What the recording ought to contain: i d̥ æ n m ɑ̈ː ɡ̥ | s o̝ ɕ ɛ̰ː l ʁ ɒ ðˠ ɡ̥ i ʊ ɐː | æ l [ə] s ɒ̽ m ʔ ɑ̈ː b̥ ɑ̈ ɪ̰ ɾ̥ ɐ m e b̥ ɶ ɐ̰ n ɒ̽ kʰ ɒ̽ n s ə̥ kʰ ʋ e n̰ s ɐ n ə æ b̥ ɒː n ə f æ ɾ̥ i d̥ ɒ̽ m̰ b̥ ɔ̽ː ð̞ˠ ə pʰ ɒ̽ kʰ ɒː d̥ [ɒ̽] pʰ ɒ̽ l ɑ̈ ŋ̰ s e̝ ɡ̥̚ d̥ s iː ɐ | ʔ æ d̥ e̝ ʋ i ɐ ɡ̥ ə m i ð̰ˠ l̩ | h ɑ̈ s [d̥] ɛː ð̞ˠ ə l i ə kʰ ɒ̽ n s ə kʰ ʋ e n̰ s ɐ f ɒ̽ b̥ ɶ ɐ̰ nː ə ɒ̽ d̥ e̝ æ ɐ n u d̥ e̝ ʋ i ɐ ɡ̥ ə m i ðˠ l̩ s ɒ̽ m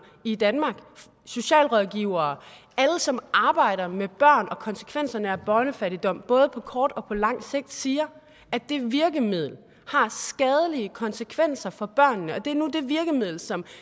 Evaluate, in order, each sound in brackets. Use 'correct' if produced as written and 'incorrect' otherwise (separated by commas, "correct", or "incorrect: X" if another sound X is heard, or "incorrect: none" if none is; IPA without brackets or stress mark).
correct, correct, incorrect: ɡ̥